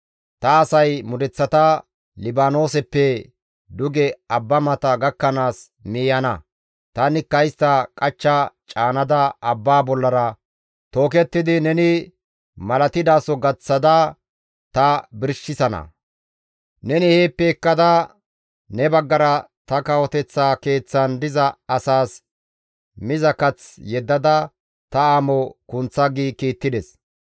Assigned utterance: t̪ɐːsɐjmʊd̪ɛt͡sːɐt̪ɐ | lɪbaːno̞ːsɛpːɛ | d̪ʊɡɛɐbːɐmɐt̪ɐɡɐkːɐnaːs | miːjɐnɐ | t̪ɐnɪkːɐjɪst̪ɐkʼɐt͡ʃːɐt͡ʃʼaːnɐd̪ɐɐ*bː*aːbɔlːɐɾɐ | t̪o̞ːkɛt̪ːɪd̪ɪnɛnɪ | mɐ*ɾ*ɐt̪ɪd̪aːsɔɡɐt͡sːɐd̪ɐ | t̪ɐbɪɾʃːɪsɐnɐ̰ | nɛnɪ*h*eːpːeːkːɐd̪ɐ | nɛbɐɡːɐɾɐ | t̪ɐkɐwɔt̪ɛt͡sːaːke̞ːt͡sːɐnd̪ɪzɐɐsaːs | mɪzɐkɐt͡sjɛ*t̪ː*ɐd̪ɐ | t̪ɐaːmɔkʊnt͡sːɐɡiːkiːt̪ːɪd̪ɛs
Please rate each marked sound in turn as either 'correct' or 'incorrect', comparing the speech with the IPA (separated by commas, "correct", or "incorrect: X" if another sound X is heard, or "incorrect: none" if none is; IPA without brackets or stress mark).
correct, incorrect: l, correct, incorrect: d̪ː